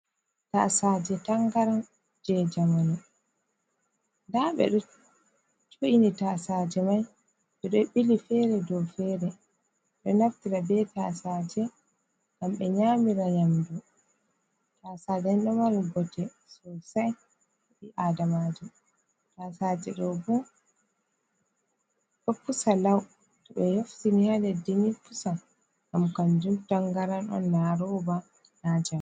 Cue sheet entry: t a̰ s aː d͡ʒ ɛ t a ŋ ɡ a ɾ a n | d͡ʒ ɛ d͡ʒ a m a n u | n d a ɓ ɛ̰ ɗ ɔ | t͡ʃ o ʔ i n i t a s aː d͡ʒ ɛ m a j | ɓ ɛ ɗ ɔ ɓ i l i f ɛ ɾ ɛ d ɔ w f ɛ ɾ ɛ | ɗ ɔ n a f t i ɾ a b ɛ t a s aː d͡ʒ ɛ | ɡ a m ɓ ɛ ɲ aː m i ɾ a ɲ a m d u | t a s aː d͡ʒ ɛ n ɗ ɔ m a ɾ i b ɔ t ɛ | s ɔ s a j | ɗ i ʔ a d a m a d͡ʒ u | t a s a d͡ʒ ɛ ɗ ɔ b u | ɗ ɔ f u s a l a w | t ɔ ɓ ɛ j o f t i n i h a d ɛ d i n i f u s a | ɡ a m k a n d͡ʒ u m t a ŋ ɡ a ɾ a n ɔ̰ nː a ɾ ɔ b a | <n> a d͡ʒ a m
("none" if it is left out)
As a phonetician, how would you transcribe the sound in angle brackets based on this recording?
n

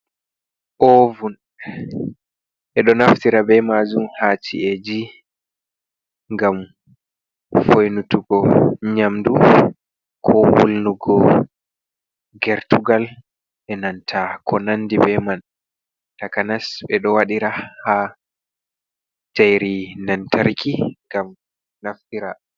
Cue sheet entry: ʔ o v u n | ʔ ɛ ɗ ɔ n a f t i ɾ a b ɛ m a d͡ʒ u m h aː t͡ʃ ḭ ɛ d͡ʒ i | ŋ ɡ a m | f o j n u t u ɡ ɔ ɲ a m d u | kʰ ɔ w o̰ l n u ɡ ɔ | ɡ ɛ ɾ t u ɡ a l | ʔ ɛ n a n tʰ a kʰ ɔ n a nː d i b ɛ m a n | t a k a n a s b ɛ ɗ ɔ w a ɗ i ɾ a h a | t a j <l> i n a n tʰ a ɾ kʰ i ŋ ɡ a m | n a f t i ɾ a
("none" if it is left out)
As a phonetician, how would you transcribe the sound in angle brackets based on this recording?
ɾ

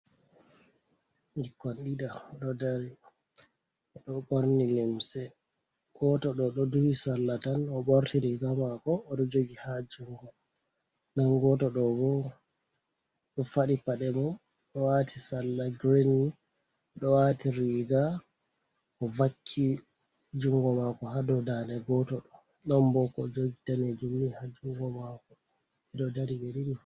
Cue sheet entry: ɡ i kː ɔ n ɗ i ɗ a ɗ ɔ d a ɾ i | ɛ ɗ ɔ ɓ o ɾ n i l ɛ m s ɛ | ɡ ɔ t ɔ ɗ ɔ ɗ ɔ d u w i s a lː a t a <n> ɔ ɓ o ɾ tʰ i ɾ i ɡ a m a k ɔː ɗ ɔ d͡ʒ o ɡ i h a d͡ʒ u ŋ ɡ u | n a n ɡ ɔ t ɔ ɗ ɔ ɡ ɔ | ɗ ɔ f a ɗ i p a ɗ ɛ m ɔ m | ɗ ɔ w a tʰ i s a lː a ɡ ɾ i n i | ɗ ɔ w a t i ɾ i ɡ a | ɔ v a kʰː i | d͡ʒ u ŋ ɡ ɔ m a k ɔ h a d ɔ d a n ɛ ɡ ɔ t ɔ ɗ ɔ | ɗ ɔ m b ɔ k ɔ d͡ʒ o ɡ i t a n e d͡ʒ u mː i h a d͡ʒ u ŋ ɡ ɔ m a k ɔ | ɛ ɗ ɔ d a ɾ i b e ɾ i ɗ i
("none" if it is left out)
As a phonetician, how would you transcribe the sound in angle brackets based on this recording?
n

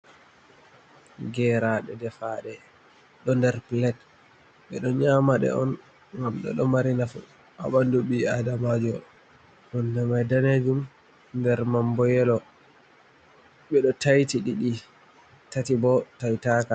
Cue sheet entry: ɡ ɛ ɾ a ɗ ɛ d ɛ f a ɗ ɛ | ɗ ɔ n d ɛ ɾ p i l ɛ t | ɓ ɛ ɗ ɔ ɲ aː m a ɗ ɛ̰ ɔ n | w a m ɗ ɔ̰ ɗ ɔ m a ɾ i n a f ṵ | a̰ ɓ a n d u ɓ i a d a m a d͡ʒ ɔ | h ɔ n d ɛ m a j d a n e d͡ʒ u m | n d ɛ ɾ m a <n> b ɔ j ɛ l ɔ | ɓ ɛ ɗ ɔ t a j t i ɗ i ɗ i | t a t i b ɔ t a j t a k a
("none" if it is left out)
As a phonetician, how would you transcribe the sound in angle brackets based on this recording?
m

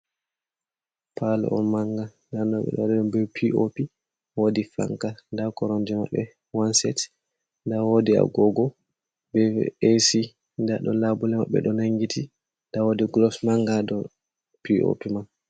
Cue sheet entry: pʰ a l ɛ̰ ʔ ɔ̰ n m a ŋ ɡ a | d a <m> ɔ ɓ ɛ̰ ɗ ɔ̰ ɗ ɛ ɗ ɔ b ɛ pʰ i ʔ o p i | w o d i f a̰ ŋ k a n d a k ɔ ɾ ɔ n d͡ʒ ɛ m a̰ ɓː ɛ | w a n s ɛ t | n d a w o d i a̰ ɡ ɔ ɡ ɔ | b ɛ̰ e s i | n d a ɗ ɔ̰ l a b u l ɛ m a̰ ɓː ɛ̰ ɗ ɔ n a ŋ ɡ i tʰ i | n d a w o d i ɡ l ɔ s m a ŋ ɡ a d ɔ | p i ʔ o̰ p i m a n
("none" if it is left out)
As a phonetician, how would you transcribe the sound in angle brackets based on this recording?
n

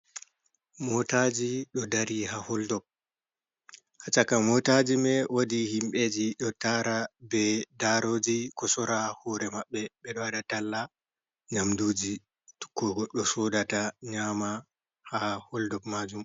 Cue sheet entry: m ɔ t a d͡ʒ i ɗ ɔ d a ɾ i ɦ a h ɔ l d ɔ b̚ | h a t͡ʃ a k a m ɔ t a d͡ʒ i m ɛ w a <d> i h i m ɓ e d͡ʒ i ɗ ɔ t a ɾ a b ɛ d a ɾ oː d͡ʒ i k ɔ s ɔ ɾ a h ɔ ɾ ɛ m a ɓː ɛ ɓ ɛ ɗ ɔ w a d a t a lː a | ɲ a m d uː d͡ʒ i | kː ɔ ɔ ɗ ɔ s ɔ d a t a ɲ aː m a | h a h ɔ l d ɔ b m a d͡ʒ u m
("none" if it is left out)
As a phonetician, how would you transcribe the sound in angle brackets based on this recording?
d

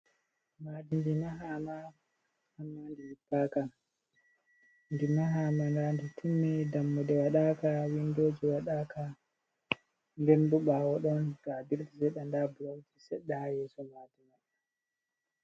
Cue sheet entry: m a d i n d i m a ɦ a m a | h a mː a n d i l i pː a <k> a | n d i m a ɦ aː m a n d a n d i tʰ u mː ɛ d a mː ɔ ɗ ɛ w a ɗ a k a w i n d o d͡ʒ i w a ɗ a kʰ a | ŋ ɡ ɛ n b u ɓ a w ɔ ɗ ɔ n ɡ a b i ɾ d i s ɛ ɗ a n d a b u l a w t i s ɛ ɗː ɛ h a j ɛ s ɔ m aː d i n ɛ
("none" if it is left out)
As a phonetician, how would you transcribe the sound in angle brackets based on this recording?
k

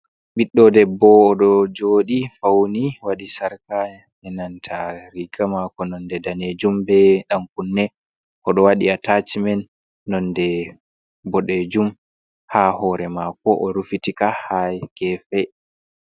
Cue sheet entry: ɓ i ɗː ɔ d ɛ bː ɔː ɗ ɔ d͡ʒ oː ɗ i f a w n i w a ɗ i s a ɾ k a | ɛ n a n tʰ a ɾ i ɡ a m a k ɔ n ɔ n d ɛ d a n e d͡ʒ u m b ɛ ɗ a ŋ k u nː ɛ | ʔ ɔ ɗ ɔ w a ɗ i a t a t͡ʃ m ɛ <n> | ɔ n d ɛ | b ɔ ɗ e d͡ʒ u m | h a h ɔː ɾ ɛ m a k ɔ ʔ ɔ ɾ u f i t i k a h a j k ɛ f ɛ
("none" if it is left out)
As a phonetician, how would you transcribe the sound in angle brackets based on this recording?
nː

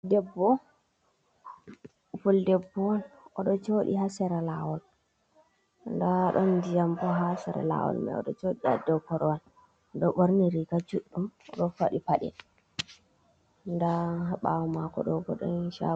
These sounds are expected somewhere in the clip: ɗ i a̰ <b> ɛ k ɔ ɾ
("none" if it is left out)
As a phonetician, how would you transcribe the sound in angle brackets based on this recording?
d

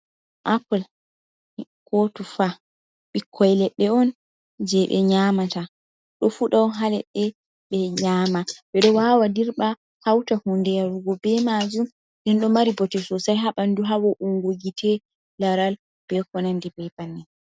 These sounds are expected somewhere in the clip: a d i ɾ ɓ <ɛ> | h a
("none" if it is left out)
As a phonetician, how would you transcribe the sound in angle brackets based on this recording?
a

